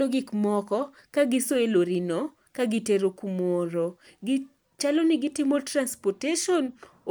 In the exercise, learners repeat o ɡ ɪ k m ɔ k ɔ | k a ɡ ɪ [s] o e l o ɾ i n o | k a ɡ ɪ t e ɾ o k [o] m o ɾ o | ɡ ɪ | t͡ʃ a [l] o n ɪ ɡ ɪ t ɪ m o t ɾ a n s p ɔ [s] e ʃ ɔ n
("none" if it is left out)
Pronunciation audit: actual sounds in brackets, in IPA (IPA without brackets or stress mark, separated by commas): s, u, l, t